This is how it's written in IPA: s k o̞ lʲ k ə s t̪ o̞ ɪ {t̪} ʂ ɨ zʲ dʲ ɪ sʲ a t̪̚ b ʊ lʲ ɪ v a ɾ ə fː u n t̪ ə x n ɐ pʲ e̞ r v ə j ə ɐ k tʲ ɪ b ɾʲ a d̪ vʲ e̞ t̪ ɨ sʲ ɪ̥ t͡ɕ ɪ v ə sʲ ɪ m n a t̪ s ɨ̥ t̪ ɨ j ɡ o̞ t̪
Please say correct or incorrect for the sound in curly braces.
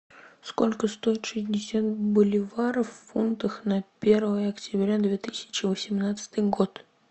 correct